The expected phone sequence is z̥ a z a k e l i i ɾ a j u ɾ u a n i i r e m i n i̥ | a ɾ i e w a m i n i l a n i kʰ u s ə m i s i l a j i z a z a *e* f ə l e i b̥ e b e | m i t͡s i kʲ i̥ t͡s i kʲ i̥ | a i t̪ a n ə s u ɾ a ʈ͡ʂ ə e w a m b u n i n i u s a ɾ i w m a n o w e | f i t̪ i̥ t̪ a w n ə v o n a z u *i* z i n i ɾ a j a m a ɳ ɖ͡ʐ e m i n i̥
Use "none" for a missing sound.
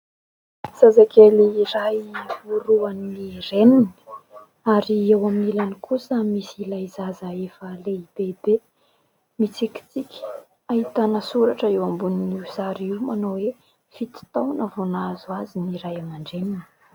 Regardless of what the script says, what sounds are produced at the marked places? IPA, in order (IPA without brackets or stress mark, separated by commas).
e, a